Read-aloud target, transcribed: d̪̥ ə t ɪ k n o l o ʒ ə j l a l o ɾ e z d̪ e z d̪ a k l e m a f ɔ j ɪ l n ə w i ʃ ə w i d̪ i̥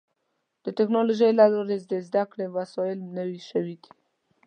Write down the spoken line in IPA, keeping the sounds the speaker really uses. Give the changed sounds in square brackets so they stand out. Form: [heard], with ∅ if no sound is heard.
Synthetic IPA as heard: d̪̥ ə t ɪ k n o l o ʒ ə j l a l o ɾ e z d̪ e z d̪ a k [ɽ] e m a [s] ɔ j ɪ l n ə w i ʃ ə w i d̪ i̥